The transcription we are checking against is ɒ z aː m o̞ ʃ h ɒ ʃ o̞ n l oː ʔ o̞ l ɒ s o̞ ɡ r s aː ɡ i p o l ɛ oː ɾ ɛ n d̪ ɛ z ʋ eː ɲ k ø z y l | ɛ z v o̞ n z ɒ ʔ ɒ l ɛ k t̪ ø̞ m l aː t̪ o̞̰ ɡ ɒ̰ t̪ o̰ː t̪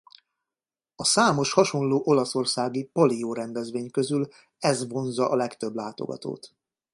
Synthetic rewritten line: ɒ s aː m o̞ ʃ h ɒ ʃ o̞ n l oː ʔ o̞ l ɒ s o̞ r s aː ɡ i p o l i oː ɾ ɛ n d̪ ɛ z ʋ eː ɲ k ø z y l | ɛ z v o̞ n z ɒ ʔ ɒ l ɛ k t̪ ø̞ b l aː t̪ o̞̰ ɡ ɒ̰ t̪ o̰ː t̪